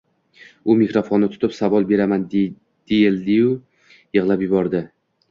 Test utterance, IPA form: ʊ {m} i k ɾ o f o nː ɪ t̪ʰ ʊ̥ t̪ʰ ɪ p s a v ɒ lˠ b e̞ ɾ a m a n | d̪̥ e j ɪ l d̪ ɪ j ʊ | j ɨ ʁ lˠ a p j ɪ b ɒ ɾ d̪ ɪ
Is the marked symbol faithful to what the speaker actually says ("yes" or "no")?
yes